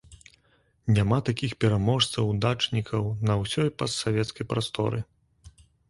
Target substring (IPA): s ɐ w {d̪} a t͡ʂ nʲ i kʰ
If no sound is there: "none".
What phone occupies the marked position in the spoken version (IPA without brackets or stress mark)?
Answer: d̪